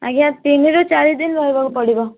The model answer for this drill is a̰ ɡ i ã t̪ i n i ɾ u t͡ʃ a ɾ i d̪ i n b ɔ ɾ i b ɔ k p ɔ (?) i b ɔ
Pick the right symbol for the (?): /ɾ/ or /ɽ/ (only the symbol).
ɽ